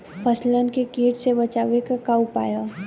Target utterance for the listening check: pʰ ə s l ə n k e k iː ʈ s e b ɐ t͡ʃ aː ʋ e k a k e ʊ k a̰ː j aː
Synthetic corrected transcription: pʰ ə s l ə n k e k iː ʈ s e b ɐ t͡ʃ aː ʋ e k a k a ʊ p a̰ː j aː